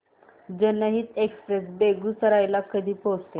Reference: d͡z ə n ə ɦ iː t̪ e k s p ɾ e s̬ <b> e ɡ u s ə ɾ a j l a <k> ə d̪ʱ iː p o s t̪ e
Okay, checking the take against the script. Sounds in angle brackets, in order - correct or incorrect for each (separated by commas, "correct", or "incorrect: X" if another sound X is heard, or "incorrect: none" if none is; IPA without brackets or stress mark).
correct, correct